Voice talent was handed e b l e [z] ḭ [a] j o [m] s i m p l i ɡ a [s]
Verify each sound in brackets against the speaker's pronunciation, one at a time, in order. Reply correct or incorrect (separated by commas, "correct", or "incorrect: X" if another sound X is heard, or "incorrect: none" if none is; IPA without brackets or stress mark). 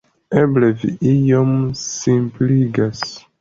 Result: incorrect: v, incorrect: i, correct, correct